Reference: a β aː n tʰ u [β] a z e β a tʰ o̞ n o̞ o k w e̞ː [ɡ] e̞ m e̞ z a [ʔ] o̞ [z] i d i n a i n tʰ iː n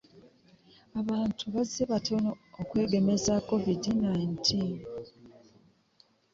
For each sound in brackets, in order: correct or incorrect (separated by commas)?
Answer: correct, correct, incorrect, incorrect